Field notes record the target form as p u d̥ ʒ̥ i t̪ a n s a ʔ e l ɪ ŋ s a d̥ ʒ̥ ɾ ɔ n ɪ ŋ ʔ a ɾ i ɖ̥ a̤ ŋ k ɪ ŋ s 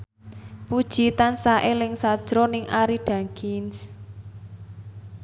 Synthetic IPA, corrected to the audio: p u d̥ ʒ̥ i t̪ a n s a ʔ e l ɪ ŋ s a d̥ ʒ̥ ɾ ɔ n ɪ ŋ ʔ a ɾ i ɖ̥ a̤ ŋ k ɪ n s